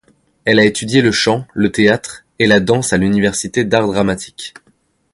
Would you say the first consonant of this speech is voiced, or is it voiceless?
voiced